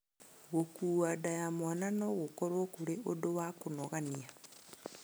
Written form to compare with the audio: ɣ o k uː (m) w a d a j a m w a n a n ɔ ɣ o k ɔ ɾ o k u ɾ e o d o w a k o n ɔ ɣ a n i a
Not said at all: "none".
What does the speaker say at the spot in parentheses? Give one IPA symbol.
none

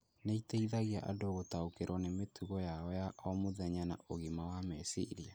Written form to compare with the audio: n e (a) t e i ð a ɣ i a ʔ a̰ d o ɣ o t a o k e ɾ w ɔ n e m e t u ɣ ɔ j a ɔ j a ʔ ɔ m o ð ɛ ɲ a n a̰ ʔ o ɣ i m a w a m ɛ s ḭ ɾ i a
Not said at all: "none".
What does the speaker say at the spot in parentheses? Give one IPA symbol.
i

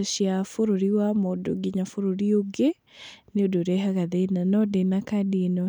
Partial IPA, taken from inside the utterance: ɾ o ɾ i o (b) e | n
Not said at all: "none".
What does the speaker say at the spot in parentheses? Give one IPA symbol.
ɡ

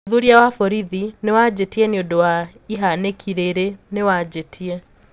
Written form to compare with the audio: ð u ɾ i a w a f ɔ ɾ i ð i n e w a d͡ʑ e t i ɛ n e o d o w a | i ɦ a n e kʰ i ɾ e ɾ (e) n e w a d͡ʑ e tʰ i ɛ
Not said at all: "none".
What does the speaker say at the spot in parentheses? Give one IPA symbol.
e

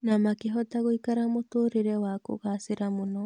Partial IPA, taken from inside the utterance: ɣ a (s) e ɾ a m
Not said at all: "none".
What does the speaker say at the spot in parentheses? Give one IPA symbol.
s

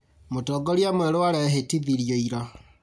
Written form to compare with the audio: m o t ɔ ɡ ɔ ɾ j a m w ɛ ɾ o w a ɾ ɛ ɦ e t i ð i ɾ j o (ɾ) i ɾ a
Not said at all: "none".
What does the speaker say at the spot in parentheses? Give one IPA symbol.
none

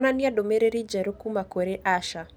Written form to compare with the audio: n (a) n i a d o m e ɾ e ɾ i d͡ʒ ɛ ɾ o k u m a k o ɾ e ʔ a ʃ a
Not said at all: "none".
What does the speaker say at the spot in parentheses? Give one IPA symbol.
a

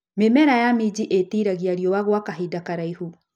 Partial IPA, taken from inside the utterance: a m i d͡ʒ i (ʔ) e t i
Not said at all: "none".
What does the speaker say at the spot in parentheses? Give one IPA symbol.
ʔ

